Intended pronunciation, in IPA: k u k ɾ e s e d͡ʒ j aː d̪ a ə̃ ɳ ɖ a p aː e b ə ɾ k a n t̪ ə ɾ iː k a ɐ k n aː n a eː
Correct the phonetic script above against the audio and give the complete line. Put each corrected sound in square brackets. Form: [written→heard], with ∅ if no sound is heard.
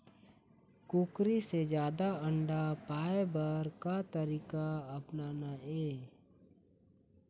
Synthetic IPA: k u k ɾ [e→i] s e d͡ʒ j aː d̪ a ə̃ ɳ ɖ a p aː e b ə ɾ k a [n→∅] t̪ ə ɾ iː k a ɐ [k→p] n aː n a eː